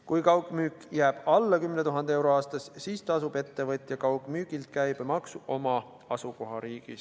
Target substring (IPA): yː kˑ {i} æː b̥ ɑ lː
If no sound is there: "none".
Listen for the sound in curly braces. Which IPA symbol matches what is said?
j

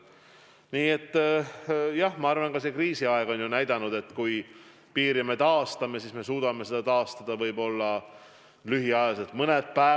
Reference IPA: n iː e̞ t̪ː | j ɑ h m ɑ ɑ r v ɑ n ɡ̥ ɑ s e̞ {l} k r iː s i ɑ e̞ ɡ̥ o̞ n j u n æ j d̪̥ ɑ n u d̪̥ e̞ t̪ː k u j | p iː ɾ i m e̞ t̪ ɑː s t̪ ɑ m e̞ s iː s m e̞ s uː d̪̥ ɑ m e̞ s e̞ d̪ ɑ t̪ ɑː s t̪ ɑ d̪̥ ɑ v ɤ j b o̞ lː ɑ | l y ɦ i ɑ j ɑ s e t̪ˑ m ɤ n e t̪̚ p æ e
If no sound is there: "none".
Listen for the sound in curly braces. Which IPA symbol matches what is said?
none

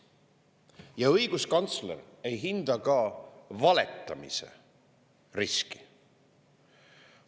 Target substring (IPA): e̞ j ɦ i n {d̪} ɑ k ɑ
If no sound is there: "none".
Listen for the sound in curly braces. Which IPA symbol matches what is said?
d̪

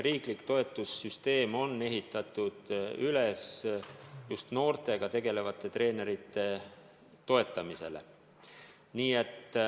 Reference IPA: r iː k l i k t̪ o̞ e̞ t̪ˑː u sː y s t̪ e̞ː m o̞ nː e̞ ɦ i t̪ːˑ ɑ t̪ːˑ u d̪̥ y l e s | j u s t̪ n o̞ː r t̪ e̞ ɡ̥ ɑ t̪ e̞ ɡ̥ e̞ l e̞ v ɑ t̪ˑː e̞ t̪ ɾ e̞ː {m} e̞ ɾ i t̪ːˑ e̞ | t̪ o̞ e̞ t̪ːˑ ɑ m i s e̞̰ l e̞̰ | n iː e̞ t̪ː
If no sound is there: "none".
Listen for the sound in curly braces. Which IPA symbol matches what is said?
n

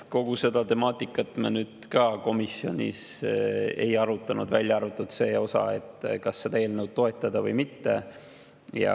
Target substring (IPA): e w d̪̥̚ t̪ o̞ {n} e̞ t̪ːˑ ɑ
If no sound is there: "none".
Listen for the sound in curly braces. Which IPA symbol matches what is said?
none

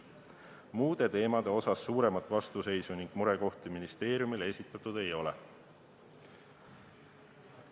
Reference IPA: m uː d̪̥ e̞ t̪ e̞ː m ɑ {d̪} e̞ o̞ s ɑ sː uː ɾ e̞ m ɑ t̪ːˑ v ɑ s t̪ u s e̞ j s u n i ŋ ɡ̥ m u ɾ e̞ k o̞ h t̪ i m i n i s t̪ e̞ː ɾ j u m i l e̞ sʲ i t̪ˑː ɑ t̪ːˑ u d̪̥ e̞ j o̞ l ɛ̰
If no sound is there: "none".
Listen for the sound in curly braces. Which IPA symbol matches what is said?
d̪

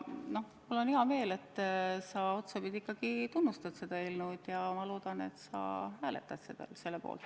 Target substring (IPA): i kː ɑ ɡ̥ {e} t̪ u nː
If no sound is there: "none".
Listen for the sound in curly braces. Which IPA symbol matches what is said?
i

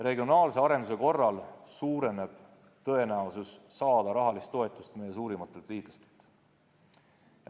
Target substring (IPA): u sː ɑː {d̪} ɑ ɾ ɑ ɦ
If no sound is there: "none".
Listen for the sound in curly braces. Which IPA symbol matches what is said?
d̪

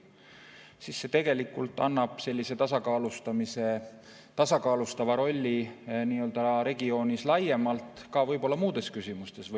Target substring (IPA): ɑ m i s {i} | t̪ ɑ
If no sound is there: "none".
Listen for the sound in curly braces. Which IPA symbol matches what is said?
e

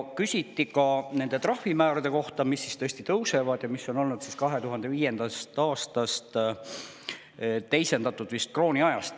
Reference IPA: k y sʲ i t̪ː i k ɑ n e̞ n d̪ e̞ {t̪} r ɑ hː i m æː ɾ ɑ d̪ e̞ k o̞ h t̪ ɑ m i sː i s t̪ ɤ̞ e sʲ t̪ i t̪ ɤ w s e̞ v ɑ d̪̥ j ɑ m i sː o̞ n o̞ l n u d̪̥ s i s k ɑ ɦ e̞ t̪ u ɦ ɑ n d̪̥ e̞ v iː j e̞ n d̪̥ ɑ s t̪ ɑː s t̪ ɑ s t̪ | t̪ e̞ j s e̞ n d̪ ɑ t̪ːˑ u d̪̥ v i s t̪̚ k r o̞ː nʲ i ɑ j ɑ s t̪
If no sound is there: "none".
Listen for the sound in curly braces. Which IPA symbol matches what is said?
t̪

